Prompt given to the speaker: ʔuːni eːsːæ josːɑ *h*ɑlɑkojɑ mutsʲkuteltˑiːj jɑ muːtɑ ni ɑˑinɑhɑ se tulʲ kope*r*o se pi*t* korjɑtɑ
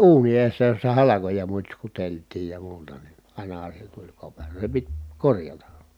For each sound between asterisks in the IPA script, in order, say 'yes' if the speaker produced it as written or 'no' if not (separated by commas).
yes, yes, yes